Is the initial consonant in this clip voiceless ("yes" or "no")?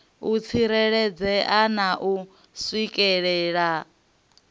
yes